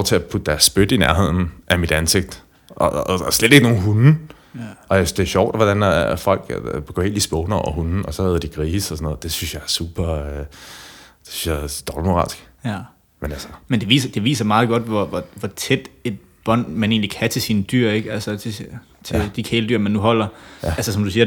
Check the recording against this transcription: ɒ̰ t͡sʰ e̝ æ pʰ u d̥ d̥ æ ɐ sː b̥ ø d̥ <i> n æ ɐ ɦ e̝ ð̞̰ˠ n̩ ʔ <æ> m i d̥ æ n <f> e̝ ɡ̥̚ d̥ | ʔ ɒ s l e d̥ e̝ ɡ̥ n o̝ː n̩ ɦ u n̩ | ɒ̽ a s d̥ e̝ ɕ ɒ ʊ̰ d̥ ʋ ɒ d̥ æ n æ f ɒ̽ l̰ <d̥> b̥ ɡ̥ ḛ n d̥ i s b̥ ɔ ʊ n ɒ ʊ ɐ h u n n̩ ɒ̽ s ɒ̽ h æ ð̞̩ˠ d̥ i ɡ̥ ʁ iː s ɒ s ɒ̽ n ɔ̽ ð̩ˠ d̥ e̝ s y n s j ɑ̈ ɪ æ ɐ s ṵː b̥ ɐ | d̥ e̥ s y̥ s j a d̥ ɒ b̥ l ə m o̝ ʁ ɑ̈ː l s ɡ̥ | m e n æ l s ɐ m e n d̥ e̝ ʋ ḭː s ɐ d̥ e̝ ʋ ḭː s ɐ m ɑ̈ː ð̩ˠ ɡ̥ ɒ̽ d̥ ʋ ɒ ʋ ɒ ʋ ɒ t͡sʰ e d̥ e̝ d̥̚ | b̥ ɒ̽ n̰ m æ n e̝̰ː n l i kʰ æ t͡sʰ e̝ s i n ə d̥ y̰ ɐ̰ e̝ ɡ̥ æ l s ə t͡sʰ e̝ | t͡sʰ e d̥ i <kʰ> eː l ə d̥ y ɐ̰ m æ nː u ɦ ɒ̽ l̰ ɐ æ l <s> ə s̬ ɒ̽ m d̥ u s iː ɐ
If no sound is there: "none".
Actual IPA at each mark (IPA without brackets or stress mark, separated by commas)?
i, æ, s, ɡ̥, kʰ, s